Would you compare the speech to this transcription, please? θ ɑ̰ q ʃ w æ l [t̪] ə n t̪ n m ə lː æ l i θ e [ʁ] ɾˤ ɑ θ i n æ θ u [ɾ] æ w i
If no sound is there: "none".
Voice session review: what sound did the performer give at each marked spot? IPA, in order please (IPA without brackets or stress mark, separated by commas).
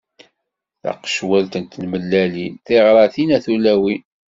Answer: t̪, ʁ, l